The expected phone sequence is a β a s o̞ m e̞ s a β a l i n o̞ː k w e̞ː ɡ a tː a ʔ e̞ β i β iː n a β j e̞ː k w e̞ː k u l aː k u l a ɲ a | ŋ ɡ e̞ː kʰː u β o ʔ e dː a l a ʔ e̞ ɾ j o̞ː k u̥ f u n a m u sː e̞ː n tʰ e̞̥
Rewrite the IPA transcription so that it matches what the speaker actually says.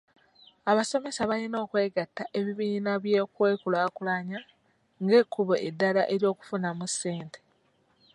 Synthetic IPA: a β a s o̞ m e̞ s a β a l i n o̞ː k w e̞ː ɡ a tː a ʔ e̞ β i β iː n a β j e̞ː k w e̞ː k u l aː k u l a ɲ a | ŋ ɡ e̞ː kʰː u β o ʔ e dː a l a ʔ e̞ ɾ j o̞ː k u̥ f u n a m u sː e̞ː n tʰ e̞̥

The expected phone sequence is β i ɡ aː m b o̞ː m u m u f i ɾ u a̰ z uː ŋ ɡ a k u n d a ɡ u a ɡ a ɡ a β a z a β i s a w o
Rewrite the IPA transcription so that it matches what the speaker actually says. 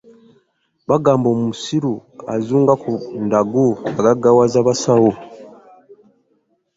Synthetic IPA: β a ɡ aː m b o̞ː m u m u s i ɾ u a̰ z uː ŋ ɡ a k u n d a ɡ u a ɡ a ɡ a w a z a β a s a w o

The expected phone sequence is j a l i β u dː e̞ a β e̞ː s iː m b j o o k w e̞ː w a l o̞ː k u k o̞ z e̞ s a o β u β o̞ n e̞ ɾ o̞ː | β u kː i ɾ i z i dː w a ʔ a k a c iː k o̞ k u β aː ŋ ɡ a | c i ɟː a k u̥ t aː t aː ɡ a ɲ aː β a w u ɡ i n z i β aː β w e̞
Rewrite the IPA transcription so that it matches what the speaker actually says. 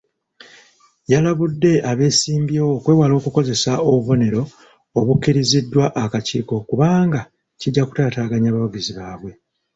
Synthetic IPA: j a l a β u dː e̞ a β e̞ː s iː m b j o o k w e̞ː w a l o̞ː k u k o̞ z e̞ s a o β u β o̞ n e̞ ɾ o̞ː | β u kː i ɾ i z i dː w a ʔ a k a c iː k o̞ k u β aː ŋ ɡ a | c i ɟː a k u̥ t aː t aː ɡ a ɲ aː β a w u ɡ i z i β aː β w e̞

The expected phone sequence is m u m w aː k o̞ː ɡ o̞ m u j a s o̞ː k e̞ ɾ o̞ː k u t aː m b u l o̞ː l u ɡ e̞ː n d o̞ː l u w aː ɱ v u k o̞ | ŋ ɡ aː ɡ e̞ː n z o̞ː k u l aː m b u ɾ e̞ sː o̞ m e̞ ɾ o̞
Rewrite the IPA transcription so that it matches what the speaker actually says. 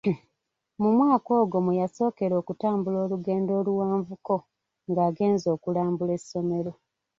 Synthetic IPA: m u m w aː k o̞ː ɡ o̞ m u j a s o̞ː k e̞ ɾ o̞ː k u t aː m b u l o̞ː l u ɡ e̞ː n d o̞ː l u w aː ɱ v u k o̞ | ŋ ɡ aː ɡ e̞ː n z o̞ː k u l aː m b u l e̞ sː o̞ m e̞ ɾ o̞

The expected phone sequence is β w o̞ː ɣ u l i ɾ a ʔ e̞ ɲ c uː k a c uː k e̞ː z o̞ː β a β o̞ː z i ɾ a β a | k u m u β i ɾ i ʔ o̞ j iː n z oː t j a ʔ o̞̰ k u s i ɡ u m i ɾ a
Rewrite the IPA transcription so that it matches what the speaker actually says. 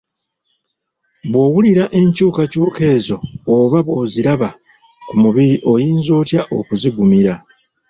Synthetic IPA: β w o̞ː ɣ u l i ɾ a ʔ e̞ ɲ c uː k a c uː k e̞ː z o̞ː β a β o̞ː z i ɾ a β a | k u m u β i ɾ i ʔ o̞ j iː n z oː t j a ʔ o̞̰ k u z i ɡ u m i ɾ a

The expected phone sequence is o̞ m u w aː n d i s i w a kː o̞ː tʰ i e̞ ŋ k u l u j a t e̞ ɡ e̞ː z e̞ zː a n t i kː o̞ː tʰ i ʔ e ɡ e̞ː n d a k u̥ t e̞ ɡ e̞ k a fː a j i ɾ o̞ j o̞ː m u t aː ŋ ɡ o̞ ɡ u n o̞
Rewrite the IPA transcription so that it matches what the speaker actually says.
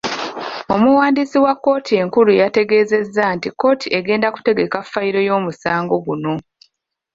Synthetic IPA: o̞ m u w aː n d i s i w a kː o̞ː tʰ i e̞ ŋ k u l u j a t e̞ ɡ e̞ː z e̞ zː a n t i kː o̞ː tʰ i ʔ e ɡ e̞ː n d a k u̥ t e̞ ɡ e̞ k a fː a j i ɾ o̞ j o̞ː m u s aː ŋ ɡ o̞ ɡ u n o̞

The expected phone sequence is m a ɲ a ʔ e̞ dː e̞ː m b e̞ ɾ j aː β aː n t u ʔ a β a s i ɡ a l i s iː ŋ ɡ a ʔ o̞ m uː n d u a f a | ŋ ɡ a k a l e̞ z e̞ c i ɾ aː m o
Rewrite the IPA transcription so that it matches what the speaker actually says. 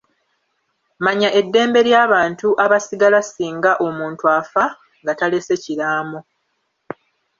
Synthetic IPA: m a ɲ a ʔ e̞ dː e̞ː m b e̞ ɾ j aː β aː n t u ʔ a β a s i ɡ a l a s iː ŋ ɡ a ʔ o̞ m uː n t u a f a | ŋ ɡ a t a l e̞ s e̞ c i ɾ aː m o

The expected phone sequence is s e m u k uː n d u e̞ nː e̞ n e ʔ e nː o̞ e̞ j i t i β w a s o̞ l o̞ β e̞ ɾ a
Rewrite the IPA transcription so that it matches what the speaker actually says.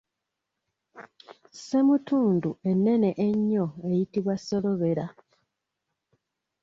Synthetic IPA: s e m u t uː n d u e̞ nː e̞ n e ʔ e ɲː o̞ e̞ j i t i β w a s o̞ l o̞ β e̞ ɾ a

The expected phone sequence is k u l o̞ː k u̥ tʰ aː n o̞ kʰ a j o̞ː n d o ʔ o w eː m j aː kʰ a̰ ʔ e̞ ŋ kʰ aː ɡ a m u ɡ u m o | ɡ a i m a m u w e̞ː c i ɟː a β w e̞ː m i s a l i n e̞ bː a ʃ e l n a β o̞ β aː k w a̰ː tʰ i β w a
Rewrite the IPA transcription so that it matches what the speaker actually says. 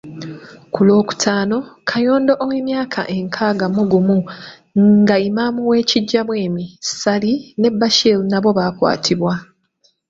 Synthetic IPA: k u l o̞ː k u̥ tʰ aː n o̞ kʰ a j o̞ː n d o ʔ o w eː m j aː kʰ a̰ ʔ e̞ ŋ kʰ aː ɡ a m u ɡ u m u | ɡ a i m a m u w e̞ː c i ɟː a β w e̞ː m i s a l i n e̞ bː a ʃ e l n a β o̞ β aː k w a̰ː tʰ i β w a

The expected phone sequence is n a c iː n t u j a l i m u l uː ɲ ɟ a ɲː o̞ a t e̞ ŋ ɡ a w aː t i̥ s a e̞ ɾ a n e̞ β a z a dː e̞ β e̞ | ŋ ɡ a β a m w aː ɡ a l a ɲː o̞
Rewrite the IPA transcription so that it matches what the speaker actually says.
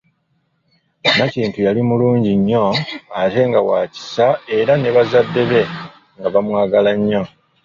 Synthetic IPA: n a c iː n t u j a l i m u l uː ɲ ɟ i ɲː o̞ a t e̞ ŋ ɡ a w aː c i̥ s a e̞ ɾ a n e̞ β a z a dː e̞ β e̞ | ŋ ɡ a β a m w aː ɡ a l a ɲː o̞

